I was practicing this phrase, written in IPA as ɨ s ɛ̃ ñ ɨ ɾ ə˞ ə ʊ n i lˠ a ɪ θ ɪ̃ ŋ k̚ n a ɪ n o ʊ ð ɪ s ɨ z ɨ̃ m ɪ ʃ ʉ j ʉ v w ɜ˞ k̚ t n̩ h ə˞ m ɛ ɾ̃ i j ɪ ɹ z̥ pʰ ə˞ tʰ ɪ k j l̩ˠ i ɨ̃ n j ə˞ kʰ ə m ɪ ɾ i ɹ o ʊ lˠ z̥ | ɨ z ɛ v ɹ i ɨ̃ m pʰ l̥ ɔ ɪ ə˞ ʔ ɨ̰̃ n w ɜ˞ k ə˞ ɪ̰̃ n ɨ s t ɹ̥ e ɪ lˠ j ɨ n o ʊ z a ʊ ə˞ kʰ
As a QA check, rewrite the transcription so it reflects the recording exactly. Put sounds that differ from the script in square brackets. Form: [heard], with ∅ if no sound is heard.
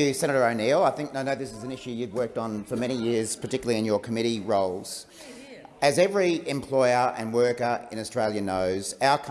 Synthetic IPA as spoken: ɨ s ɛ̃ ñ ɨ ɾ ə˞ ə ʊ n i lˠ a ɪ θ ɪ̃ ŋ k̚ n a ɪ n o ʊ ð ɪ s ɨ z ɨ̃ [n] ɪ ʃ ʉ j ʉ v w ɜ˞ k̚ t n̩ [f] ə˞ m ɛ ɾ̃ i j ɪ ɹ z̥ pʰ ə˞ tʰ ɪ k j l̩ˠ i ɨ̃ n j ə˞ kʰ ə m ɪ ɾ i ɹ o ʊ lˠ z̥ | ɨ z ɛ v ɹ i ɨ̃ m pʰ l̥ ɔ ɪ ə˞ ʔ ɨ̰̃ n w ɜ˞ k ə˞ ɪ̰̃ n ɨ s t ɹ̥ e ɪ lˠ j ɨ n o ʊ z a ʊ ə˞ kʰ